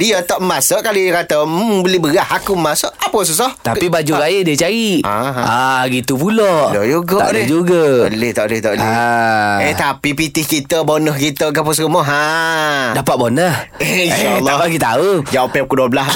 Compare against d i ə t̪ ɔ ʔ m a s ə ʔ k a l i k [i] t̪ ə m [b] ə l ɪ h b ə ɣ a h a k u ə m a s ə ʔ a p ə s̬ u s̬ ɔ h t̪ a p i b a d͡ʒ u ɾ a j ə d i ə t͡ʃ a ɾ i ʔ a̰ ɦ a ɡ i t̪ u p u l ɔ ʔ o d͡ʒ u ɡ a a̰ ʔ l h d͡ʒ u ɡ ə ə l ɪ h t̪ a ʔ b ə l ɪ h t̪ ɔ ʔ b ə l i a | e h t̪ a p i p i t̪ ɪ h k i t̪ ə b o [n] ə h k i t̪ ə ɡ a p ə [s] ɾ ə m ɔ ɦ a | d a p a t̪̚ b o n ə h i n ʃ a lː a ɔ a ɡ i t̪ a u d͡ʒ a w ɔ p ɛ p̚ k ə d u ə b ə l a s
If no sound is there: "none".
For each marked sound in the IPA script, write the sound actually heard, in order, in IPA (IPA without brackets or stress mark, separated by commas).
a, b, n, s